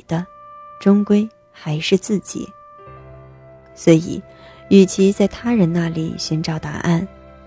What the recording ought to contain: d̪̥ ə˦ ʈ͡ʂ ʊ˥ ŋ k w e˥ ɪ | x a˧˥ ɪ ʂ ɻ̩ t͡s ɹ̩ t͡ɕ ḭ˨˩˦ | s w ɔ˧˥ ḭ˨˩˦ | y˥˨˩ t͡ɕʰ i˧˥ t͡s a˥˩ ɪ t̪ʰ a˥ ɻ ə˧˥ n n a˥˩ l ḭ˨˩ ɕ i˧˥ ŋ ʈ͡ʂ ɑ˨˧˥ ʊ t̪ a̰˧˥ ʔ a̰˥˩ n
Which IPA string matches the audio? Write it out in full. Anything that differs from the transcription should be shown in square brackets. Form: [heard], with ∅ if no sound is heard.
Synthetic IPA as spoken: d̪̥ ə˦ ʈ͡ʂ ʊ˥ ŋ k w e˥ ɪ | x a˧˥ ɪ ʂ ɻ̩ t͡s ɹ̩ t͡ɕ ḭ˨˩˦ | s w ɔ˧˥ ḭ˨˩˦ | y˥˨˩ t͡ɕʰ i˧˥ t͡s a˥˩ ɪ t̪ʰ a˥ ɻ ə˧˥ n n a˥˩ l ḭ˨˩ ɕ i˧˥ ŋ ʈ͡ʂ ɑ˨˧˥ ʊ t̪ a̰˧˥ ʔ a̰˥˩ n